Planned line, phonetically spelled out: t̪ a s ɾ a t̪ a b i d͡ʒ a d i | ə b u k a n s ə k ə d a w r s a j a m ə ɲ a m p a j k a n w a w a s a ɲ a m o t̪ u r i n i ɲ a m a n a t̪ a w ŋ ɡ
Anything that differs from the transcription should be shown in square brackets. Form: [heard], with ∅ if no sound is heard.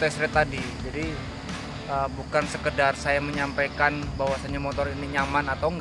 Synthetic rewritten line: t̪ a s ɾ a t̪ a [d] i d͡ʒ a d i | ə b u k a n s ə k ə d a [∅] r s a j a m ə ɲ a m p a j k a n [b] a w a s a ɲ a m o t̪ [ɔ] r i n i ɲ a m a n a t̪ a w ŋ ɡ

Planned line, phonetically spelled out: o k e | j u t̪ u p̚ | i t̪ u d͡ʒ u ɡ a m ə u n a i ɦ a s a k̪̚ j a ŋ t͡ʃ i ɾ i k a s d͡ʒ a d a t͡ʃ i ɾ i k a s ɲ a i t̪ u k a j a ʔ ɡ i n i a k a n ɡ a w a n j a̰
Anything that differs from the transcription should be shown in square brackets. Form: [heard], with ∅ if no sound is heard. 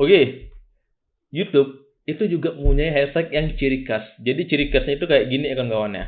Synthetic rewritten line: o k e | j u t̪ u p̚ | i t̪ u d͡ʒ u ɡ a m ə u [ɲ] a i ɦ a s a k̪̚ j a ŋ t͡ʃ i ɾ i k a s d͡ʒ a d [i] t͡ʃ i ɾ i k a s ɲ a i t̪ u k a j a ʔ ɡ i n i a k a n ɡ a w a n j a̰

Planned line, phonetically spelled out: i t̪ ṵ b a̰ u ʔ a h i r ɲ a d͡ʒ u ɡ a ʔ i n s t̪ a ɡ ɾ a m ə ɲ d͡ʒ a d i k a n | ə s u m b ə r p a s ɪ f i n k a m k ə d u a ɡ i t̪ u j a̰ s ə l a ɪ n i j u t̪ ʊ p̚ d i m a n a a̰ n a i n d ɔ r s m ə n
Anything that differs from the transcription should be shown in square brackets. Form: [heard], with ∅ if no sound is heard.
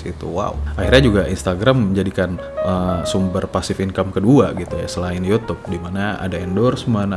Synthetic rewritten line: i t̪ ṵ [w] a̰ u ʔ a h i r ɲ a d͡ʒ u ɡ a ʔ i n s t̪ a ɡ ɾ a m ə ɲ d͡ʒ a d i k a n | ə s u m b ə r p a s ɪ f i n k a m k ə d u a ɡ i t̪ u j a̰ s ə l a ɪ n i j u t̪ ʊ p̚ d i m a n a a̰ [d] a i n d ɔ r s m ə n

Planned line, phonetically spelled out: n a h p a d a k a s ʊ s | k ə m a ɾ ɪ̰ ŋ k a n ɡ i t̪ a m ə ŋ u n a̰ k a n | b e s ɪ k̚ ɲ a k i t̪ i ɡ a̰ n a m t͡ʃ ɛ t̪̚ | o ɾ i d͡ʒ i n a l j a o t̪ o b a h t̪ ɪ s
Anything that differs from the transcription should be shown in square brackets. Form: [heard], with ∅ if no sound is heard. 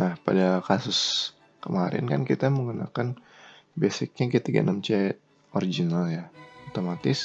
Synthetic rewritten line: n a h p a d a k a s ʊ s | k ə m a ɾ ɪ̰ [n] k a n [k] i t̪ a m ə ŋ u n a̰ k a n | b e s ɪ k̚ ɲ a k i t̪ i ɡ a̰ n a m t͡ʃ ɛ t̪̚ | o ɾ i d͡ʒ i n a l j a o t̪ o [m] a [∅] t̪ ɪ s

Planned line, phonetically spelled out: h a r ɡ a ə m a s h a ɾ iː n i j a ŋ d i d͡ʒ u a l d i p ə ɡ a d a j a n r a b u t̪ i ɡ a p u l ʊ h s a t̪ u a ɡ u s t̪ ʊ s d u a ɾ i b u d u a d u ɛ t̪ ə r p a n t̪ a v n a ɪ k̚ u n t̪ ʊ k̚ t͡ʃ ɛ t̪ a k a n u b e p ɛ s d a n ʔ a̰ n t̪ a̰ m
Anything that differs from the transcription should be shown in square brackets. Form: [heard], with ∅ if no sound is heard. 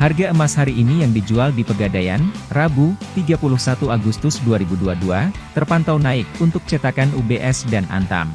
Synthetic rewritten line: h a r ɡ a ə m a s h a ɾ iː n i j a ŋ d i d͡ʒ u a l d i p ə ɡ a d a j a n r a b u t̪ i ɡ a p u l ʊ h s a t̪ u a ɡ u s t̪ ʊ s d u a ɾ i b u d u a d u [a] t̪ ə r p a n t̪ a [w] n a ɪ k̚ u n t̪ ʊ k̚ t͡ʃ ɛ t̪ a k a n u b e [ʔ] ɛ s d a n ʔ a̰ n t̪ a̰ m

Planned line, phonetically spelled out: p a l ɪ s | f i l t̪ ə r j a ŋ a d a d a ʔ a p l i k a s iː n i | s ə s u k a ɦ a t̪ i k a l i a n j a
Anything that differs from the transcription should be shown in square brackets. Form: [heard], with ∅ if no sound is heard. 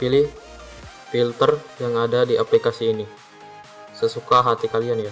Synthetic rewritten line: p [i] l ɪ [h] | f i l t̪ ə r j a ŋ a d a d [i] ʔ a p l i k a s iː n i | s ə s u k a ɦ a t̪ i k a l i a n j a

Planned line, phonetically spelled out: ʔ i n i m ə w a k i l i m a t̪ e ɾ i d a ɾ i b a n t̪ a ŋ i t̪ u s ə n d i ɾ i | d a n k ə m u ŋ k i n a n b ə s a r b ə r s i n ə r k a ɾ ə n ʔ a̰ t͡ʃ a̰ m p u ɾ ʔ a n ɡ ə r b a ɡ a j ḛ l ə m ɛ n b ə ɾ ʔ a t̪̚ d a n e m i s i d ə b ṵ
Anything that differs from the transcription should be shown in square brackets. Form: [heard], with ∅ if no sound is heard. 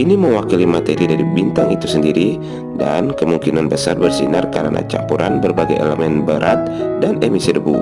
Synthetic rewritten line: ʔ i n i m ə w a k i l i m a t̪ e ɾ i d a ɾ i b [i] n t̪ a ŋ i t̪ u s ə n d i ɾ i | d a n k ə m u ŋ k i n a n b ə s a r b ə r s i n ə r k a ɾ ə n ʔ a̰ t͡ʃ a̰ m p u ɾ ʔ a n [b] ə r b a ɡ a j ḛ l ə m ɛ n b ə ɾ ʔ a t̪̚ d a n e m i s i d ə b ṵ

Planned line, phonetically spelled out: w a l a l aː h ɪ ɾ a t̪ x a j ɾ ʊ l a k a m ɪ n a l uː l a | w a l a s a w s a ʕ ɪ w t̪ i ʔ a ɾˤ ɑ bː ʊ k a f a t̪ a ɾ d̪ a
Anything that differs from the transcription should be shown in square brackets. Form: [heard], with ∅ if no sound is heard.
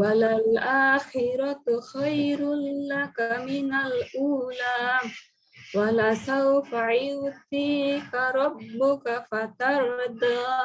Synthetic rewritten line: w a l a l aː [x] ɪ ɾ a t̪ x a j ɾ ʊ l a k a m ɪ n a l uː l a | w a l a s a w [f] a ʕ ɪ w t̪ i [k] a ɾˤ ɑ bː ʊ k a f a t̪ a ɾ d̪ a

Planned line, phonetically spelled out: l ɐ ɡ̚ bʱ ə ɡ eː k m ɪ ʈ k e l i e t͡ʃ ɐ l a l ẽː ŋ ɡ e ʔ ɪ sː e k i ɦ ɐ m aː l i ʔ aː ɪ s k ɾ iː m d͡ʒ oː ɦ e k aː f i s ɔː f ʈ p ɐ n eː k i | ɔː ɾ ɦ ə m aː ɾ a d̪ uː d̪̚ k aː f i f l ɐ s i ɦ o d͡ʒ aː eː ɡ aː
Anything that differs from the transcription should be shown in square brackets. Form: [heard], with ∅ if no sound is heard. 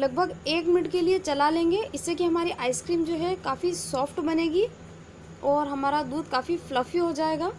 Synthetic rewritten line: l ɐ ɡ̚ bʱ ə ɡ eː k m ɪ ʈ k e l i e t͡ʃ ɐ l a l ẽː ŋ ɡ e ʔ ɪ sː e k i ɦ ɐ m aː [ɾ] i ʔ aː ɪ s k ɾ iː m d͡ʒ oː ɦ [ɛ] k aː f i s ɔː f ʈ [b] ɐ n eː [ɡ] i | ɔː ɾ ɦ [ɐ] m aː ɾ a d̪ uː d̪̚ k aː f i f l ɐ [f] i ɦ o d͡ʒ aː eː ɡ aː

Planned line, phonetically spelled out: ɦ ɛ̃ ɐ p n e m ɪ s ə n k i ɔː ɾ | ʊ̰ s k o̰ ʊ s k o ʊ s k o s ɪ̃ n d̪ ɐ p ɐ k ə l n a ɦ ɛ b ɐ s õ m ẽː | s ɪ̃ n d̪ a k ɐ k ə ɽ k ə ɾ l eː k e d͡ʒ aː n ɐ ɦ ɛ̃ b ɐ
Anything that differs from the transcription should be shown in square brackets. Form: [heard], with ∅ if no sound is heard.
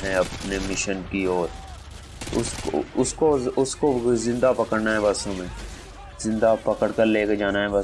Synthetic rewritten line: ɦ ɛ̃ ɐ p n e m ɪ [ʃ] ə n k i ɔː ɾ | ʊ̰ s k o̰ ʊ s k o ʊ s k o [z] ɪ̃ n d̪ [a] p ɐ k ə [ɽ] n a ɦ ɛ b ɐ s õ m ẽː | [z] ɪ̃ n d̪ a [p] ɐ k ə ɽ k ə ɾ l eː k e d͡ʒ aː n [a] ɦ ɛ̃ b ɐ

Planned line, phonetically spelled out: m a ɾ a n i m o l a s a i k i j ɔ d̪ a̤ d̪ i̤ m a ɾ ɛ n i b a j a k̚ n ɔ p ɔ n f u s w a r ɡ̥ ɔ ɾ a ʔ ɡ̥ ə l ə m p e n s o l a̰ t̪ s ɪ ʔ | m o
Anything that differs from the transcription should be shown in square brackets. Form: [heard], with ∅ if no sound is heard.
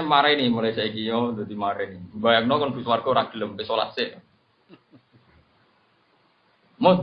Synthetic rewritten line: m a ɾ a n i m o l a s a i k i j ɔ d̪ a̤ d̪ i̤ m a ɾ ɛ n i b a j a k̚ n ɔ [k] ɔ n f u s w a r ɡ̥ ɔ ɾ a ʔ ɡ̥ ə l ə m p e [∅] s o l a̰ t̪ s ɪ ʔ | m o

